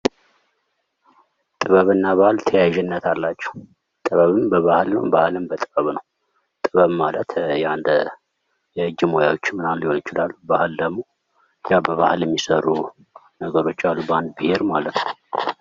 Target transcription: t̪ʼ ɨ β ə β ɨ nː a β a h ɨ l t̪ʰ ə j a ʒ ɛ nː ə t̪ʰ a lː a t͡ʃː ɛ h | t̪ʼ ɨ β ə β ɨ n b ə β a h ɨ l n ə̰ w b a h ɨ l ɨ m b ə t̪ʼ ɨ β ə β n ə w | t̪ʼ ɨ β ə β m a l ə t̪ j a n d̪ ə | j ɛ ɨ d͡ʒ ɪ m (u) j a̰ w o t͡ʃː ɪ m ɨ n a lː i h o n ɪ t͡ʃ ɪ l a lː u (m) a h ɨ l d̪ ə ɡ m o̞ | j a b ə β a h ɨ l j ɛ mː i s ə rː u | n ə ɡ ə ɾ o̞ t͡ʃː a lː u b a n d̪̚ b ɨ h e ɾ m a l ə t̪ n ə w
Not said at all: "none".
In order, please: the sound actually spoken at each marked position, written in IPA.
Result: o, b

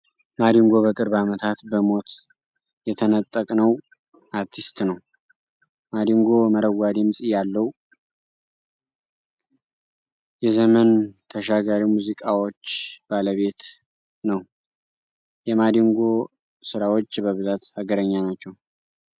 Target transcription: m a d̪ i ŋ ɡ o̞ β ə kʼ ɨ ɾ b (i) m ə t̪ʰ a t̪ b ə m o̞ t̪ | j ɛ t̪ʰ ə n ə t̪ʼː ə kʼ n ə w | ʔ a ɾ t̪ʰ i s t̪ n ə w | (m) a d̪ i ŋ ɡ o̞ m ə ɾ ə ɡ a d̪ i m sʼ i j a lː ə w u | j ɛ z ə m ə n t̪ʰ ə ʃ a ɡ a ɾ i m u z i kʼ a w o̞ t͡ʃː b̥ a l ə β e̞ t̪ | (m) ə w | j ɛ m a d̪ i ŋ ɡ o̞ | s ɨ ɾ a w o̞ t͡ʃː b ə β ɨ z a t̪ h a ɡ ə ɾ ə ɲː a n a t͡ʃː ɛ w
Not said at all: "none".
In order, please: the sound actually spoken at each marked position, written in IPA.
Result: a, m, n

